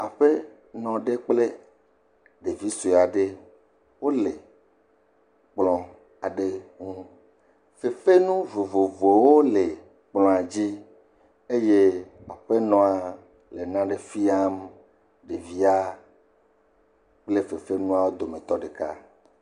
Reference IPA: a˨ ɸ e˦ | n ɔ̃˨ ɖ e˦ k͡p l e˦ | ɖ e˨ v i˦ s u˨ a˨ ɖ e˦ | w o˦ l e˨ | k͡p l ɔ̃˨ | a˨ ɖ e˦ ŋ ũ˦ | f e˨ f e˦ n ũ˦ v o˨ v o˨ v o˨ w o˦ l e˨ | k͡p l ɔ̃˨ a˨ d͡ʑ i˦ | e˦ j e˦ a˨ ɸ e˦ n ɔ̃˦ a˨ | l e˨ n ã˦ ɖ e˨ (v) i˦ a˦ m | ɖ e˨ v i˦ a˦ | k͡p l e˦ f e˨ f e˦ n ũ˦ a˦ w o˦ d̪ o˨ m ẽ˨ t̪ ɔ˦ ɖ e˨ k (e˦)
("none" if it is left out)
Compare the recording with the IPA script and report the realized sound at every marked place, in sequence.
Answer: f, a˦

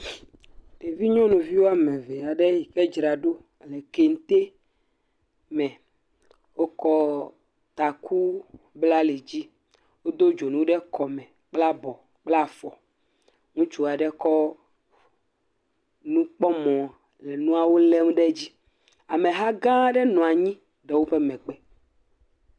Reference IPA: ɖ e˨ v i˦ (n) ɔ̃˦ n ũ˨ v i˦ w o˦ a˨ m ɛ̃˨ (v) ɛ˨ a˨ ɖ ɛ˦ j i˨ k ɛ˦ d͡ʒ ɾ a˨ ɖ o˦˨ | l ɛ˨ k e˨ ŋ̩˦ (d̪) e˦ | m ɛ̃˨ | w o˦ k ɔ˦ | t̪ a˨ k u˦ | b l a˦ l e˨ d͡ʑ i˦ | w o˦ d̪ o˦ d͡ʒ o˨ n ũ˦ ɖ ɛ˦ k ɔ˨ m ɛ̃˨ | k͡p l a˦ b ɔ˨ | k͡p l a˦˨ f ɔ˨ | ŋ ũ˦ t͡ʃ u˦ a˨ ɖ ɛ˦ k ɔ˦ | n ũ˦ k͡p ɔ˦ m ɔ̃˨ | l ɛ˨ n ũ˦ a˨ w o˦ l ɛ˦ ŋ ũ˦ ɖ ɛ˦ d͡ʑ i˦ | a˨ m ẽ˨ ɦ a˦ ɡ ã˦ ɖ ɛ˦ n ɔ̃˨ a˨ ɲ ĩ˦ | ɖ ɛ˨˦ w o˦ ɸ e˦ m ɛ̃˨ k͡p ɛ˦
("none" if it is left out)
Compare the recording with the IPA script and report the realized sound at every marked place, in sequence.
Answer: ɲ, v, t̪

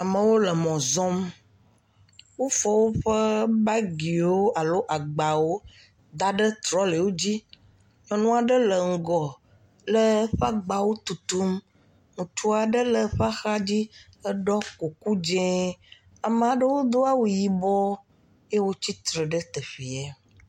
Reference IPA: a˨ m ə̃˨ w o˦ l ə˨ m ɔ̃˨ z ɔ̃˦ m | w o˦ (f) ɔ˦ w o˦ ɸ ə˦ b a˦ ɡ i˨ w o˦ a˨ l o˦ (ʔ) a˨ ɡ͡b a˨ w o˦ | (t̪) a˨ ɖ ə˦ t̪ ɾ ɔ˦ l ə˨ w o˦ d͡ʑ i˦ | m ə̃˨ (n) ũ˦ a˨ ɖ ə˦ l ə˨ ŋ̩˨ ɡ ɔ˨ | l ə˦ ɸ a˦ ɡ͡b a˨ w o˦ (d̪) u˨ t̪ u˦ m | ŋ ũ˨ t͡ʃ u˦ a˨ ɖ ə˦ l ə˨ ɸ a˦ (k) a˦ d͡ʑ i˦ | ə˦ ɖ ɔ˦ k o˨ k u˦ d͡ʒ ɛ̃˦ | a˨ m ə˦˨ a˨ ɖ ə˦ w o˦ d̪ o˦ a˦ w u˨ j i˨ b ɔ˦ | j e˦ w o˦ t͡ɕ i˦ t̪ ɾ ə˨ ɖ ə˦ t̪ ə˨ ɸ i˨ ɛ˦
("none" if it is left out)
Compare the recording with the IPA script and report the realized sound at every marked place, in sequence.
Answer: f, ʔ, d̪, n, t̪, x

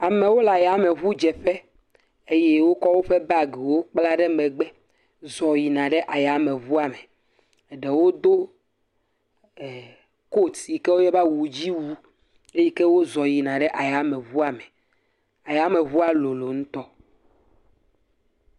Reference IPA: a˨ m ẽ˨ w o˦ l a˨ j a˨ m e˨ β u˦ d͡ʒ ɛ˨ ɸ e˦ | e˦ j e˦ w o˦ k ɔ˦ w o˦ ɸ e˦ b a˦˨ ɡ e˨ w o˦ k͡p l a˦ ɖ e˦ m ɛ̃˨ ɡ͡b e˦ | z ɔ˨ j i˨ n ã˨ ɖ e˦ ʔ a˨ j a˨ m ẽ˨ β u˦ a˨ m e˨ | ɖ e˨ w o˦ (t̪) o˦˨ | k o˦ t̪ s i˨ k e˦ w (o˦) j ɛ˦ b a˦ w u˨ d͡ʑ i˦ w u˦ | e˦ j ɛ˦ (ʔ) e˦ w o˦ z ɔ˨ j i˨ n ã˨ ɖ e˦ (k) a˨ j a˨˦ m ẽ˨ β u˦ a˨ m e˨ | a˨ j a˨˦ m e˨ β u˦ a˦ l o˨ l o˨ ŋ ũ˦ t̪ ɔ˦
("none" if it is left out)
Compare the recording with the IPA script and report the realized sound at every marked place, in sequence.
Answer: d̪, o˦, k, ʔ

